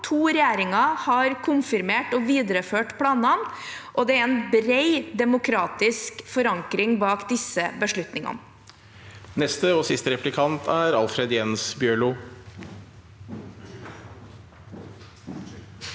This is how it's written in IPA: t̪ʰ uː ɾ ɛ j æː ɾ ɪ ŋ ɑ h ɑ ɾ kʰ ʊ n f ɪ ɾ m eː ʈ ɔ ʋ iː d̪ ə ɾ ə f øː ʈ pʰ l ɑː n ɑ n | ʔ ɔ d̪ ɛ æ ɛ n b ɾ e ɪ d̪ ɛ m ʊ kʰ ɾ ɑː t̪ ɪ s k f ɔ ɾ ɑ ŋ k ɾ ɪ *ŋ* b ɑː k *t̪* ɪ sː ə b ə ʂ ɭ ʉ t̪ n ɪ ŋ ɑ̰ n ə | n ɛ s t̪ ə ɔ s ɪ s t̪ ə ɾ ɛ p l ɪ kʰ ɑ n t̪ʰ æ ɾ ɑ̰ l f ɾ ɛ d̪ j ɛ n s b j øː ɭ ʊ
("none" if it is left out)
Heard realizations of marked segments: ŋ, d̪

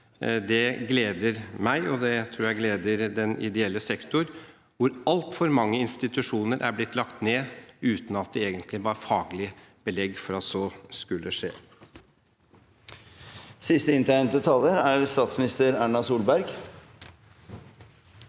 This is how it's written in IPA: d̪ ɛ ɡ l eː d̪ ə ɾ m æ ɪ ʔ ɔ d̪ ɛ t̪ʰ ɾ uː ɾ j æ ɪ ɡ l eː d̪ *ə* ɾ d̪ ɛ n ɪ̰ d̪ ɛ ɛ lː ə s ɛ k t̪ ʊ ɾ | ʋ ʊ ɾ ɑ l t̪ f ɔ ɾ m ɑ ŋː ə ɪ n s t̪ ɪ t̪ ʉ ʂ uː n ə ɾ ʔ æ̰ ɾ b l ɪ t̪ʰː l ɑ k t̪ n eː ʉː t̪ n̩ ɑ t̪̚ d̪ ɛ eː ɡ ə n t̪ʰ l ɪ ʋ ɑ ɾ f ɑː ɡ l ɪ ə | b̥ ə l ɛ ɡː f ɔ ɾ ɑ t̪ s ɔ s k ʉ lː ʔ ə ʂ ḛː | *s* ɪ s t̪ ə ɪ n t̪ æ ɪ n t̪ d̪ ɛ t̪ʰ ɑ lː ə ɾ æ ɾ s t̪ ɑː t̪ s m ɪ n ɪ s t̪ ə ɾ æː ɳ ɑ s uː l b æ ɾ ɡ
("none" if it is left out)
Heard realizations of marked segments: ə, s

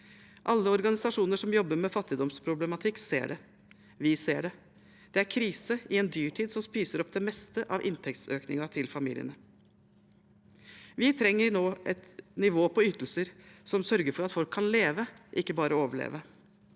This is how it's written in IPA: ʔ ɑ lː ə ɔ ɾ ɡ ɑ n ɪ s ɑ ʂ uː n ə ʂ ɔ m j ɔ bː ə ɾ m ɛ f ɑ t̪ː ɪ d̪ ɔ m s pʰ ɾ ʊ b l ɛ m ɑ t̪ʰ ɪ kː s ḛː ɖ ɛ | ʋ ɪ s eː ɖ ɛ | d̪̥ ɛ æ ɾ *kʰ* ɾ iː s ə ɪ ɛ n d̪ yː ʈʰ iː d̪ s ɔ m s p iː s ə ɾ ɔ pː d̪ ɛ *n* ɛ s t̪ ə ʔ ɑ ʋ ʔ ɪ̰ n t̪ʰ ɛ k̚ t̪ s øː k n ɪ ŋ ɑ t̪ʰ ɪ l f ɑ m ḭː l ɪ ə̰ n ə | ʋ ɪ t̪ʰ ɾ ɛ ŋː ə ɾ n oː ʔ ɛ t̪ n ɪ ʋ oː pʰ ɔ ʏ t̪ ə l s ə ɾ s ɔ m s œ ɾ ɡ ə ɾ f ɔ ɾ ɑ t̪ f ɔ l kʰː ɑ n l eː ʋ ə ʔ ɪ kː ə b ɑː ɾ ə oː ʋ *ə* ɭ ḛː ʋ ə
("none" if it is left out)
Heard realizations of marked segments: kʰ, m, ə

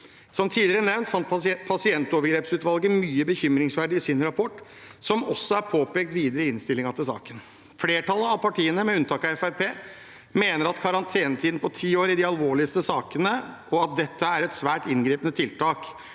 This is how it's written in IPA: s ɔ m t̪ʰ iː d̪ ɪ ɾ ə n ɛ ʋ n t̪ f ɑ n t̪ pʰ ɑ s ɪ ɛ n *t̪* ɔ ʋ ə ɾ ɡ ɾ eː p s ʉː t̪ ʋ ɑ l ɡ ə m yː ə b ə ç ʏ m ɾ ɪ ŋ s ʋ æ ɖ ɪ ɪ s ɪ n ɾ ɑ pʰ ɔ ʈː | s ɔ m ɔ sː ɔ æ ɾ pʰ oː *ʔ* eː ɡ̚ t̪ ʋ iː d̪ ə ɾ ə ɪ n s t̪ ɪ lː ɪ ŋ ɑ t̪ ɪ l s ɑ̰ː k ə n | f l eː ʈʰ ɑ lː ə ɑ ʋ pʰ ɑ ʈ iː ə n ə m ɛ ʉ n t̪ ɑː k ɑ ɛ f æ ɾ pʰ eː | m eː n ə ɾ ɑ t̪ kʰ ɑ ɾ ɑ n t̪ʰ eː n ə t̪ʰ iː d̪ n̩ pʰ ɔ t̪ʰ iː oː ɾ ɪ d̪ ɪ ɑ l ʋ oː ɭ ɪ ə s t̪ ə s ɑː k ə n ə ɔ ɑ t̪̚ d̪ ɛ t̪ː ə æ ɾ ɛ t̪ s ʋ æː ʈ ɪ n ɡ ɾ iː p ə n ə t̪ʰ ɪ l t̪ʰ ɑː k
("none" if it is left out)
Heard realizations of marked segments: t̪, p

